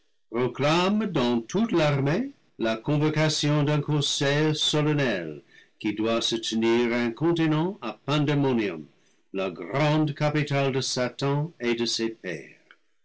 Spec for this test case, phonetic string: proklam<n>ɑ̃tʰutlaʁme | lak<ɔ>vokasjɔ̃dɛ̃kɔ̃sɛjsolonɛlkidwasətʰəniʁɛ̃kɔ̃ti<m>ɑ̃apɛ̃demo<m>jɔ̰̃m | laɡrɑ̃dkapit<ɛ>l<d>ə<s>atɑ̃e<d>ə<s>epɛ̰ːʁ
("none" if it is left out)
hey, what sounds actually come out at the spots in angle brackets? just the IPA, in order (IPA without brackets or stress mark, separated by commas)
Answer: d, ɔ̃, n, n, a, d, s, d, s